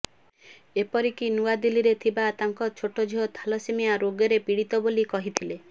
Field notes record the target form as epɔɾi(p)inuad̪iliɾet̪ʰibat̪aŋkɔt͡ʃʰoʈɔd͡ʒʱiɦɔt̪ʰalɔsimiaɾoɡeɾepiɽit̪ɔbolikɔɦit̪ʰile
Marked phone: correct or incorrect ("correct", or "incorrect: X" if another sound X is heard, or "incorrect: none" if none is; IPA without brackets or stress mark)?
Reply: incorrect: k